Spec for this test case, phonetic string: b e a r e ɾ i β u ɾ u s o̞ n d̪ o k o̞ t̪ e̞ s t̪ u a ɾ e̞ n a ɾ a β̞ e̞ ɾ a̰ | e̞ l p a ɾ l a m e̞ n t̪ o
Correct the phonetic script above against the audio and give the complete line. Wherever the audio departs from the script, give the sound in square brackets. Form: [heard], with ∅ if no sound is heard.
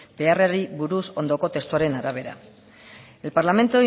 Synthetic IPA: b e a r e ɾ i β u ɾ u s o̞ n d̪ o k o̞ t̪ e̞ s t̪ u a ɾ e̞ n a ɾ a β̞ e̞ ɾ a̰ | e̞ l p a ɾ l a m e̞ n t̪ o

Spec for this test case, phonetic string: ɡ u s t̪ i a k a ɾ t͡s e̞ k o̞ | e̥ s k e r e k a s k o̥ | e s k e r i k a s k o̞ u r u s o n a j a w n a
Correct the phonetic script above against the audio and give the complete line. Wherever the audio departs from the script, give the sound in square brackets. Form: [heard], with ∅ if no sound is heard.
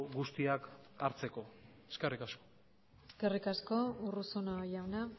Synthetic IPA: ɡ u s t̪ i a k a ɾ t͡s e̞ k o̞ | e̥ s k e r [i] k a s k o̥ | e s k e r i k a s k o̞ u r u s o n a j a w n a

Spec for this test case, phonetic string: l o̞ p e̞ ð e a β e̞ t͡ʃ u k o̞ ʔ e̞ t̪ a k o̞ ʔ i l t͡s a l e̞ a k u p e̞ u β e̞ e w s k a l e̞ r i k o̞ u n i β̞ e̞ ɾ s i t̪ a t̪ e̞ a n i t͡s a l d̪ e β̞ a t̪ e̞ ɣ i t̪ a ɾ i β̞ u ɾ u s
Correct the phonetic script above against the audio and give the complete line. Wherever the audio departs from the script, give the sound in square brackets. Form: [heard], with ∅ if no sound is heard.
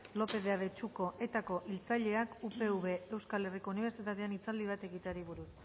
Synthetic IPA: l o̞ p e̞ ð e a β e̞ t͡ʃ u k o̞ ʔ e̞ t̪ a k o̞ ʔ i l t͡s a [ʎ] e̞ a k u p e̞ u β e̞ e w s k a l e̞ r i k o̞ u n i β̞ e̞ ɾ s i t̪ a t̪ e̞ a n i t͡s a l d̪ [i] β̞ a t̪ e̞ ɣ i t̪ a ɾ i β̞ u ɾ u s

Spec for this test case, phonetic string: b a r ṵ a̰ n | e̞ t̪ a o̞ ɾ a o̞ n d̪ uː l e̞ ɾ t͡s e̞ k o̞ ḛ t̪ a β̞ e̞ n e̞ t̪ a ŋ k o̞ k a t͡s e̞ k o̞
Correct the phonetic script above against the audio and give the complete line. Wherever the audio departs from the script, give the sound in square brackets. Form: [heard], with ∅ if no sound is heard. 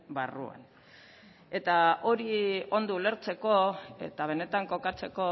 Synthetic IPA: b a r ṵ a̰ n | e̞ t̪ a o̞ ɾ [i] o̞ n d̪ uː l e̞ ɾ t͡s e̞ k o̞ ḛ t̪ a β̞ e̞ n e̞ t̪ a ŋ k o̞ k a t͡s e̞ k o̞

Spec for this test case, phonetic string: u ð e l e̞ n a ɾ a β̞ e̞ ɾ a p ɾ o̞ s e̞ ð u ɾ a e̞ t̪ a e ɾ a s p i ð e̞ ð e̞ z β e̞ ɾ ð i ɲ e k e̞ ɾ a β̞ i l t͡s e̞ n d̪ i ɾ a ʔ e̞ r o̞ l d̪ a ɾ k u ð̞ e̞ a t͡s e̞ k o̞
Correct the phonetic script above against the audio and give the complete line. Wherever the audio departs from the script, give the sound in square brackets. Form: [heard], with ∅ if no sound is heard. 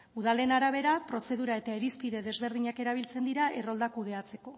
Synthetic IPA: u ð [a] l e̞ n a ɾ a β̞ e̞ ɾ a p ɾ o̞ s e̞ ð u ɾ a e̞ t̪ a e ɾ [i] s p i ð e̞ ð e̞ z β e̞ ɾ ð i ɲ [a] k e̞ ɾ a β̞ i l t͡s e̞ n d̪ i ɾ a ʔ e̞ r o̞ l d̪ a [∅] k u ð̞ e̞ a t͡s e̞ k o̞

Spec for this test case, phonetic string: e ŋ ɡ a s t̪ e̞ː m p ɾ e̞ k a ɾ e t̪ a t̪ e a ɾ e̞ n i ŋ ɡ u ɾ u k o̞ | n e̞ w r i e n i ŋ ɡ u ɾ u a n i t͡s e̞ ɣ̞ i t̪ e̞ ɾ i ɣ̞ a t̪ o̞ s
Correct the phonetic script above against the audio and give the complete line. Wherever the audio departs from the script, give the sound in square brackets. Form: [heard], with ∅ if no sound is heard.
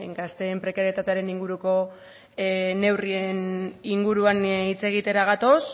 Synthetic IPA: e ŋ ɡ a s t̪ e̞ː m p ɾ e̞ k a ɾ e t̪ a t̪ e a ɾ e̞ n i ŋ ɡ u ɾ u k o̞ | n e̞ w r i e n i ŋ ɡ u ɾ u a n i t͡s e̞ ɣ̞ i t̪ e̞ ɾ [a] ɣ̞ a t̪ o̞ s

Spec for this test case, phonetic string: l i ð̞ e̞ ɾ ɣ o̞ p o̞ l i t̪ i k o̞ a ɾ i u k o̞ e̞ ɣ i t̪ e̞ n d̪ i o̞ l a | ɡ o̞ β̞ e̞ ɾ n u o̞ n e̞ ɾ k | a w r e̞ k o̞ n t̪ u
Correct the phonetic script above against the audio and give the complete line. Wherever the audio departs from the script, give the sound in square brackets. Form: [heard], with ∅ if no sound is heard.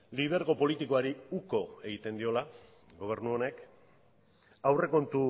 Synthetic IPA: l i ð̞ e̞ ɾ ɣ o̞ p o̞ l i t̪ i k o̞ a ɾ i u k o̞ e̞ ɣ i t̪ e̞ n d̪ i o̞ l a | ɡ o̞ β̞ e̞ ɾ n u o̞ n e̞ [∅] k | a w r e̞ k o̞ n t̪ u

